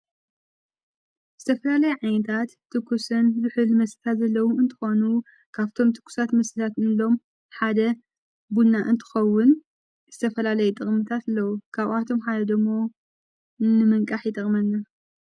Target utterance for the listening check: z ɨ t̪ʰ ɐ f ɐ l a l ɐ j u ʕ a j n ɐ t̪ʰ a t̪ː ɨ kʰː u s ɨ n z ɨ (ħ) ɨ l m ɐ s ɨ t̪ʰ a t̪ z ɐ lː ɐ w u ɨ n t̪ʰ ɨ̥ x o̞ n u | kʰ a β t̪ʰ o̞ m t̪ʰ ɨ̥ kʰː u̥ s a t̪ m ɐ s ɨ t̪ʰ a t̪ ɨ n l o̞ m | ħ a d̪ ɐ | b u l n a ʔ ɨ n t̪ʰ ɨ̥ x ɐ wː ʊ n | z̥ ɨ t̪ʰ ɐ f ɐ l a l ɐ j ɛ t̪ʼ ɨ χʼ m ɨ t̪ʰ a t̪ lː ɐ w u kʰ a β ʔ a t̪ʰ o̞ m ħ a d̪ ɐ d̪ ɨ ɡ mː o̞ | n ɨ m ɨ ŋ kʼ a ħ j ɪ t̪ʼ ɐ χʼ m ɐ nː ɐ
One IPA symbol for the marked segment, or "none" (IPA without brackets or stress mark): ħ